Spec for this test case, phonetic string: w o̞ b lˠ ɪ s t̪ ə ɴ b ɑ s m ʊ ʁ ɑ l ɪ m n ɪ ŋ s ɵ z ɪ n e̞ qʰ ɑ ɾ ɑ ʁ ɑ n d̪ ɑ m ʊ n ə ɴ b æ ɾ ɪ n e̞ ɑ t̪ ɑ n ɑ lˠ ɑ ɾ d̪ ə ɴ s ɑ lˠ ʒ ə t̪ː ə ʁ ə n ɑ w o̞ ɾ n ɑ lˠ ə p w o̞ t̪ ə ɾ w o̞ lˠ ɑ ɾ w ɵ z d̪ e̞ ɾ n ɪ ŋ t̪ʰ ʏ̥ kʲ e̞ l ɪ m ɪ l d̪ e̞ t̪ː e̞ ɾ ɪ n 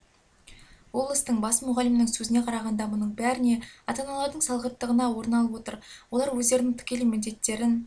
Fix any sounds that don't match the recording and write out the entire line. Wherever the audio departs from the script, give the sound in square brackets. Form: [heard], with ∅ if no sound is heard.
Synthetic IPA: w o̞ b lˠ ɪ s t̪ ə ɴ b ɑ s m ʊ ʁ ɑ l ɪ m n ɪ ŋ s ɵ z ɪ n e̞ qʰ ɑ ɾ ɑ ʁ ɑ n d̪ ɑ m ʊ n ə ɴ b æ ɾ ɪ n e̞ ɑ t̪ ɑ n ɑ lˠ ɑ ɾ d̪ ə ɴ s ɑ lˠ [ʁ] ə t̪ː ə ʁ ə n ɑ w o̞ ɾ n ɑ lˠ ə p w o̞ t̪ ə ɾ w o̞ lˠ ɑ ɾ w ɵ z d̪ e̞ ɾ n ɪ ŋ t̪ʰ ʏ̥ kʲ e̞ l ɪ m ɪ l d̪ e̞ t̪ː e̞ ɾ ɪ n